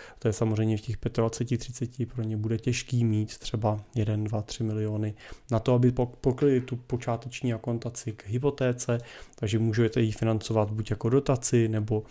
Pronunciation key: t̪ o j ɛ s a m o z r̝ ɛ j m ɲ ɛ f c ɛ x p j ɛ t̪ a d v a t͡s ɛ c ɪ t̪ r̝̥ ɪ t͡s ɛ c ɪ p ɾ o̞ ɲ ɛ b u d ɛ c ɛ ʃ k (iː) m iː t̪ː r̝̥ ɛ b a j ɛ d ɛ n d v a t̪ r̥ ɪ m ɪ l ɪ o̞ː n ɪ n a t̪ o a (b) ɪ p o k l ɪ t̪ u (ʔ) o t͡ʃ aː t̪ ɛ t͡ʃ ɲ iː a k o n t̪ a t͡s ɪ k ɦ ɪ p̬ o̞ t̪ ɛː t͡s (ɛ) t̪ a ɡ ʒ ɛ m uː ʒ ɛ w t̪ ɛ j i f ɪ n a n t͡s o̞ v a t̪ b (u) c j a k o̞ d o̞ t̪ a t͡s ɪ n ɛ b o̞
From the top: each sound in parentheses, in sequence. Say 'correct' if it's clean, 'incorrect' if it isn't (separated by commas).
correct, correct, incorrect, correct, correct